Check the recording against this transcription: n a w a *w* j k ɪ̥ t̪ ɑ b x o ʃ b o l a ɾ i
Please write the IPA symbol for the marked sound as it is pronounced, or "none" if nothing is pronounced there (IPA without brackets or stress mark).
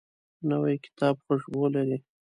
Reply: none